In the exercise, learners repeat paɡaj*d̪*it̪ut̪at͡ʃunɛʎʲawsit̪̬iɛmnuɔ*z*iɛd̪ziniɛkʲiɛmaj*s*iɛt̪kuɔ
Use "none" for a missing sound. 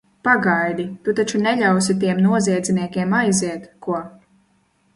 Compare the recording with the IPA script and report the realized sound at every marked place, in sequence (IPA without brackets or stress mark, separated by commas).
d̪, z, z